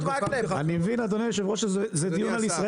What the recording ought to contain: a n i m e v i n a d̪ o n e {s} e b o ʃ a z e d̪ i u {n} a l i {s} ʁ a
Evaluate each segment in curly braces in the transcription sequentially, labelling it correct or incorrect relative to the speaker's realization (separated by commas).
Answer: incorrect, correct, correct